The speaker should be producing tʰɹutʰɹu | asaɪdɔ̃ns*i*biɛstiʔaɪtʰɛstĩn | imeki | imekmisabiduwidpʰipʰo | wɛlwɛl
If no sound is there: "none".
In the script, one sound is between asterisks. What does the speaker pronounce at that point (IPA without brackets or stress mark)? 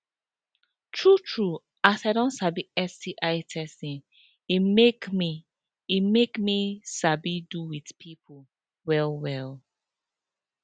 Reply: a